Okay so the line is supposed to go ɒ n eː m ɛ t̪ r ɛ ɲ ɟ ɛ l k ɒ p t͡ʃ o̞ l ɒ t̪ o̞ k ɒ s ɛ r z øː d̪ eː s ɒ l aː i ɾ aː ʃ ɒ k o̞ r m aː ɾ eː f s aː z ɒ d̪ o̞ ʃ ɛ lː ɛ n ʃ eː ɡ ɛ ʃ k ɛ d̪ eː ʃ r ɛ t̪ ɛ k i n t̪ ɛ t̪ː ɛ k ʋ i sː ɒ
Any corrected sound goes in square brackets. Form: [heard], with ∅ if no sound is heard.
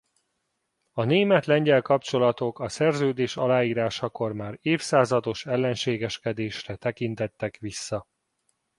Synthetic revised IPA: ɒ n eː m ɛ t̪ [l] ɛ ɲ ɟ ɛ l k ɒ p t͡ʃ o̞ l ɒ t̪ o̞ k ɒ s ɛ r z øː d̪ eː [ʃ] ɒ l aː [iː] ɾ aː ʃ ɒ k o̞ r m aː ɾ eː f s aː z ɒ d̪ o̞ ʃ ɛ lː ɛ n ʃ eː ɡ ɛ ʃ k ɛ d̪ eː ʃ r ɛ t̪ ɛ k i n t̪ ɛ t̪ː ɛ k ʋ i sː ɒ

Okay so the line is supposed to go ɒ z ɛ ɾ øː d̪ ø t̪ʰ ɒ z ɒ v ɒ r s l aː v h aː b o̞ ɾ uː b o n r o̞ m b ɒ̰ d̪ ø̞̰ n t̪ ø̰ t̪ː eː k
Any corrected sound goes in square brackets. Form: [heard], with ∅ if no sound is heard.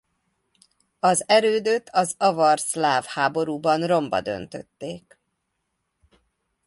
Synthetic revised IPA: ɒ z ɛ ɾ øː d̪ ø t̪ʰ ɒ z ɒ v ɒ r s l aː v h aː b o̞ ɾ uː b [ɒ] n r o̞ m b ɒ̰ d̪ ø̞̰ n t̪ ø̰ t̪ː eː k

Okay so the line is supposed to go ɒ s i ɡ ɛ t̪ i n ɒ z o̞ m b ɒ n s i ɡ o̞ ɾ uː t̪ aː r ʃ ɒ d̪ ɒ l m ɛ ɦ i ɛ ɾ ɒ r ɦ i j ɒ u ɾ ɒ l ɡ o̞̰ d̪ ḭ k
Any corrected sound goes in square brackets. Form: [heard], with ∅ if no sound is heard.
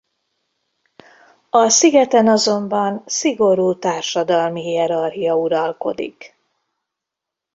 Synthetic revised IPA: ɒ s i ɡ ɛ t̪ [ɛ] n ɒ z o̞ m b ɒ n s i ɡ o̞ ɾ uː t̪ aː r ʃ ɒ d̪ ɒ l m [i] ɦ i ɛ ɾ ɒ r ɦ i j ɒ u ɾ ɒ l [k] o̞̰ d̪ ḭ k

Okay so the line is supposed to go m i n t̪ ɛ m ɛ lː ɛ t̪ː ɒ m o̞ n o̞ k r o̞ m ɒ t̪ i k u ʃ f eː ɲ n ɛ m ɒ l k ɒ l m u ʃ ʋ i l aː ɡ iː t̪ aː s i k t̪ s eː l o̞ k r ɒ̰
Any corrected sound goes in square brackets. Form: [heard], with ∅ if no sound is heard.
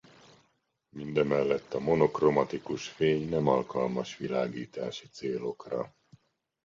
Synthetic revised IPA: m i n [d̪] ɛ m ɛ lː ɛ t̪ː ɒ m o̞ n o̞ k r o̞ m ɒ t̪ i k u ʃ f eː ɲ n ɛ m ɒ l k ɒ l m [ɒ] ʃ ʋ i l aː ɡ iː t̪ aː [ʃ] i [∅] t̪ s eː l o̞ k r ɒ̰

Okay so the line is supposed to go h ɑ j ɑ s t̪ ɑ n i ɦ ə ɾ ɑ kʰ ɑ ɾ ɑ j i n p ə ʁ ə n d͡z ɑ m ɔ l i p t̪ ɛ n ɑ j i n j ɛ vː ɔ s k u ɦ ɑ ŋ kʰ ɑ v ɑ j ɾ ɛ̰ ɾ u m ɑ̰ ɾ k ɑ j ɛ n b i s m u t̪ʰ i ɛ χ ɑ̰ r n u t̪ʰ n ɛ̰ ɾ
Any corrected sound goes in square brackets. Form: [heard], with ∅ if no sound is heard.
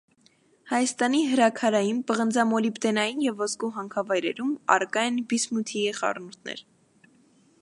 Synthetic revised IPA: h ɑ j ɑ s t̪ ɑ n i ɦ ə ɾ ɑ kʰ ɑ ɾ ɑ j i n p ə ʁ ə n d͡z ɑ m ɔ l i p t̪ ɛ n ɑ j i n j ɛ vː ɔ s k u ɦ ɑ ŋ kʰ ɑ v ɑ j ɾ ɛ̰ ɾ u m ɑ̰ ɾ k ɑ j ɛ n b i s m u t̪ʰ i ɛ χ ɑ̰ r n u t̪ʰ n ɛ̰ ɾ

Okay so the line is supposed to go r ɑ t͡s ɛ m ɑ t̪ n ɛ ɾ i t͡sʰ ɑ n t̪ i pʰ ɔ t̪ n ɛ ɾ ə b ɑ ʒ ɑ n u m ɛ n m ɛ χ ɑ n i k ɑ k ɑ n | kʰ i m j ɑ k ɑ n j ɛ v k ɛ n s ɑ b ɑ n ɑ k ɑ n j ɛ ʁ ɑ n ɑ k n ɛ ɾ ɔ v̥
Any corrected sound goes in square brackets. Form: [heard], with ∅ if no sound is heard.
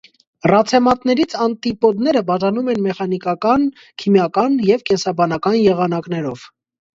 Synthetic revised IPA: r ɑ [t͡sʰ] ɛ m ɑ t̪ n ɛ ɾ i t͡sʰ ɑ n t̪ i [p] ɔ [d̪] n ɛ ɾ ə b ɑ ʒ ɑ n u m ɛ n m ɛ χ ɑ n i k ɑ k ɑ n | kʰ i m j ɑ k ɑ n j ɛ v k ɛ n s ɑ b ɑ n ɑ k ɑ n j ɛ ʁ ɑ n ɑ k n ɛ ɾ ɔ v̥

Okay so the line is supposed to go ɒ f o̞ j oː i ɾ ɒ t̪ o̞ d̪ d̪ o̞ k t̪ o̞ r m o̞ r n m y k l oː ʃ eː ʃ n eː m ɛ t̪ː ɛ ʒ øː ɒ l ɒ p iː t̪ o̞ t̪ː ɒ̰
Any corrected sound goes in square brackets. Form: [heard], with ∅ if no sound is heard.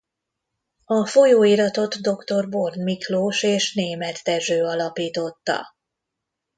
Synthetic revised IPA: ɒ f o̞ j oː i ɾ ɒ t̪ o̞ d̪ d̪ o̞ k t̪ o̞ r [b] o̞ r n m [i] k l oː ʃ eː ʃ n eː m ɛ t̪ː ɛ ʒ øː ɒ l ɒ p iː t̪ o̞ t̪ː ɒ̰

